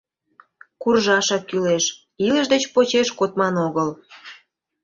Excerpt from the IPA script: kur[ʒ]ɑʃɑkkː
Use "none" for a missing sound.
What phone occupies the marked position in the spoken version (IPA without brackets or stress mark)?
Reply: ʒ